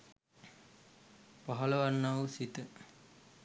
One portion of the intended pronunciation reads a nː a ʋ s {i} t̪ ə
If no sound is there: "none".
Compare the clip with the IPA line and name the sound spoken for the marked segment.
i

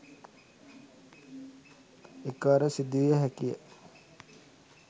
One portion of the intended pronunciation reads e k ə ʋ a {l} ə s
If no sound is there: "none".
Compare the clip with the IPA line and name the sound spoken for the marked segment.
ɾ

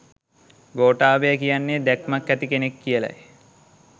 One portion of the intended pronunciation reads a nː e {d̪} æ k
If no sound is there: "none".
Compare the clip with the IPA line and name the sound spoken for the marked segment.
d̪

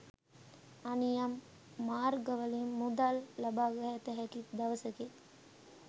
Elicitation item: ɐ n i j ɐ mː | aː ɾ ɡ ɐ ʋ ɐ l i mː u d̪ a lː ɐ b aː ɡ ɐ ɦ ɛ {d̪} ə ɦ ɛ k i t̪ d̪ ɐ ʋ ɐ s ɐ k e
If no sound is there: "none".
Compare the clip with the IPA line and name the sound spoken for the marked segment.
t̪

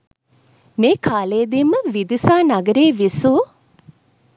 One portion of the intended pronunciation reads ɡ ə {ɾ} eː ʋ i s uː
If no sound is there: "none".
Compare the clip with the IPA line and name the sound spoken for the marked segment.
ɾ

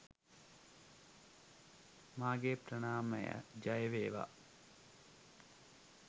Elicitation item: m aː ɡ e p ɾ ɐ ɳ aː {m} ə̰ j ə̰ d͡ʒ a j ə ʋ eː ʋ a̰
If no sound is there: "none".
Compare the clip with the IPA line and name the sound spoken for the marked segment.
m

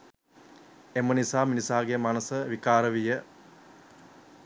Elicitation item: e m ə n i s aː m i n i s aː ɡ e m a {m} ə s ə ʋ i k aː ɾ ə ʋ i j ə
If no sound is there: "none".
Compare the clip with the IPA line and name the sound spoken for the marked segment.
n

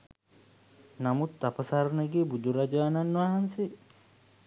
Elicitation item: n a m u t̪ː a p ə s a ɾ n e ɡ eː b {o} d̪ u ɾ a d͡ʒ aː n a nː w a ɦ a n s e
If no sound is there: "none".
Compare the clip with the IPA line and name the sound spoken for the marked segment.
u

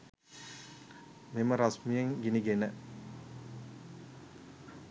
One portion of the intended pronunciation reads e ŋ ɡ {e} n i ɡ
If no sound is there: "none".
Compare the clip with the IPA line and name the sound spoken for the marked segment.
i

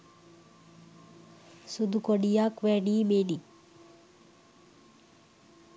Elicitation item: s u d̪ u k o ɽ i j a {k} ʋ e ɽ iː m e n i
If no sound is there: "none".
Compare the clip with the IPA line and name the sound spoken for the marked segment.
k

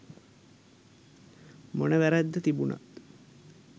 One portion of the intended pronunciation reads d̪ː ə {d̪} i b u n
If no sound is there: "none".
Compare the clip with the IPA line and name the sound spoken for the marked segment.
t̪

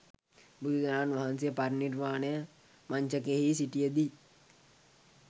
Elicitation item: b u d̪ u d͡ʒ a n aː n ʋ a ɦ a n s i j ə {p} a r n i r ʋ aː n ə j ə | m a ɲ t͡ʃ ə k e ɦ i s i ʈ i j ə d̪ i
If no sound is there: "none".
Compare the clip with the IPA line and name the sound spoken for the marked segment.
p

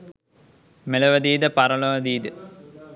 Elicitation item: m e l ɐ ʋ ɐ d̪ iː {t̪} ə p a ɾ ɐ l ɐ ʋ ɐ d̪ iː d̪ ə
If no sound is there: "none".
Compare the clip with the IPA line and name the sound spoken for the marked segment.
d̪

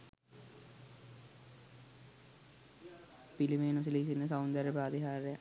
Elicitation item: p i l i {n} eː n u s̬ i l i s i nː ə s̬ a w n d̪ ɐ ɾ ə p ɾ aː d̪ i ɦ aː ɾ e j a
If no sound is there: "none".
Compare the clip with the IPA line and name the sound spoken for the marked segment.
m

